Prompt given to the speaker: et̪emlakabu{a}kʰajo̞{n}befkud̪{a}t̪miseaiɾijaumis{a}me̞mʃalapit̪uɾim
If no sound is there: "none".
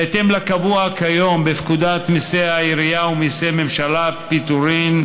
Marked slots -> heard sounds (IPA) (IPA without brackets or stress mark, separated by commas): a, m, a, e